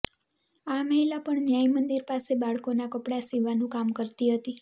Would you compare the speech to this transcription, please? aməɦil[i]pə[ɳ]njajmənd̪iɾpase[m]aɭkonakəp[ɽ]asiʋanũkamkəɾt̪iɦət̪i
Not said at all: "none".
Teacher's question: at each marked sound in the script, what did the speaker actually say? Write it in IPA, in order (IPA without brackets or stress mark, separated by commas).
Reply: a, ɳ, b, ɽ